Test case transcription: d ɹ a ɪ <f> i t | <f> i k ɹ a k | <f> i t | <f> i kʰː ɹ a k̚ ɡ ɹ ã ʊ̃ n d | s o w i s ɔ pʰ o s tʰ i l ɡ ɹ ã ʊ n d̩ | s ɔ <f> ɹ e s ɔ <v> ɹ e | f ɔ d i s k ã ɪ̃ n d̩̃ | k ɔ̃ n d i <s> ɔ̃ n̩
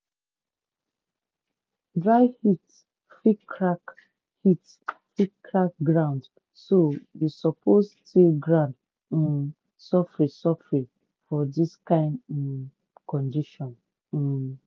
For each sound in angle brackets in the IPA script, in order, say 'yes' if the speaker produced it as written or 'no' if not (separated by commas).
no, yes, no, yes, yes, no, no